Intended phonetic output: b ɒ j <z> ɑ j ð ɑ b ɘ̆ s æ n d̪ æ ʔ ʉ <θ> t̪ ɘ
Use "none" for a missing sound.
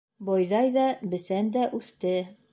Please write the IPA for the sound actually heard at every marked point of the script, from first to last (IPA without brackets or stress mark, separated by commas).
ð, θ